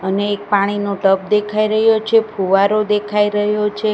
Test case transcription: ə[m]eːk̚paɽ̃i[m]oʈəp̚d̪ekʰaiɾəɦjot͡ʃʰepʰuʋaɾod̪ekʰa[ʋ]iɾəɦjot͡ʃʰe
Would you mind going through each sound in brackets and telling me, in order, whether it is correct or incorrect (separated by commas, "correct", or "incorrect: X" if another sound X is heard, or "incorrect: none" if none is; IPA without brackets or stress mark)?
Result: incorrect: n, incorrect: n, incorrect: none